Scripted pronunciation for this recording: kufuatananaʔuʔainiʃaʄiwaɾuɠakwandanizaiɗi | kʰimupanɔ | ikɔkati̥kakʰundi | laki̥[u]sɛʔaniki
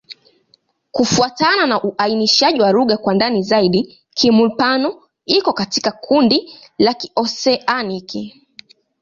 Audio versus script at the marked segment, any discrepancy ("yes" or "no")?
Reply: yes